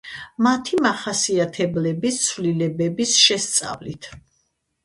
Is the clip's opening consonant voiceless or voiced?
voiced